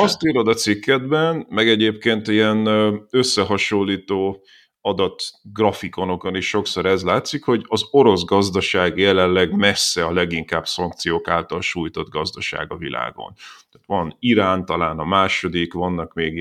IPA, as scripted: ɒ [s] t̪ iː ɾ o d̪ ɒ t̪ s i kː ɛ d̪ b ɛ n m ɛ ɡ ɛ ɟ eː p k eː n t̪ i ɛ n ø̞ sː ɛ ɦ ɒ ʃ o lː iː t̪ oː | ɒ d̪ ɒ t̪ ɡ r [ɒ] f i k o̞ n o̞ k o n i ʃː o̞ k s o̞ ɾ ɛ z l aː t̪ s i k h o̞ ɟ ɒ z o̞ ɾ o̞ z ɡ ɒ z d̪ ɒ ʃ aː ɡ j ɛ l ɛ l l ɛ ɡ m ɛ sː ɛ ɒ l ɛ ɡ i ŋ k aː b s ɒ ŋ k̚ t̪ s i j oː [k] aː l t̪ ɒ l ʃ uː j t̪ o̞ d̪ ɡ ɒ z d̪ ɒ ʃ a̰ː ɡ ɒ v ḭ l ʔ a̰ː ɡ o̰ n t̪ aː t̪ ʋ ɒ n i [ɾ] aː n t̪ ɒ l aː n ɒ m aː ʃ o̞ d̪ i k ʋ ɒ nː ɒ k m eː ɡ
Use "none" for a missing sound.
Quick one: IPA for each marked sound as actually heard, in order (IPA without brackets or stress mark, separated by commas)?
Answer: s, ɒ, k, ɾ